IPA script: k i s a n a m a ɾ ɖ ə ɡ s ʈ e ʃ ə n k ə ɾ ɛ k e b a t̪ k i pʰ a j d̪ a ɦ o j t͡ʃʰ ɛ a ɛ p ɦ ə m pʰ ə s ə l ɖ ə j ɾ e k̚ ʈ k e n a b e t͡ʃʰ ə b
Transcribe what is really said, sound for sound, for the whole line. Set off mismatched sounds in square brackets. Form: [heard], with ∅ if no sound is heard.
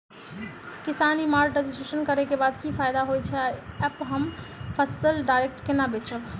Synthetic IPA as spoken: k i s a n [i] m a ɾ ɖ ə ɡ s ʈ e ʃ ə n k ə ɾ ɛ k e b a [d̪] k i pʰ a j d̪ a ɦ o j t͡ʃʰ ɛ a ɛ p ɦ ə m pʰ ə s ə l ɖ [a] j ɾ e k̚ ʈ k e n a b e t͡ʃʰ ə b